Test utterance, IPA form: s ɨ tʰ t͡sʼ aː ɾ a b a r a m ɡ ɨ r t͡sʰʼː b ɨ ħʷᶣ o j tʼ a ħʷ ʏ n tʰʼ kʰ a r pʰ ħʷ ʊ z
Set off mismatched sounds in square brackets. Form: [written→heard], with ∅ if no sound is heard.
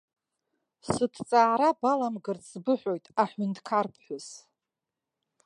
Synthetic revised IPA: s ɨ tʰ t͡sʼ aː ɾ a b a [r→l] a m ɡ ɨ r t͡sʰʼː b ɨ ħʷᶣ o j tʼ a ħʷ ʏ n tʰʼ kʰ a r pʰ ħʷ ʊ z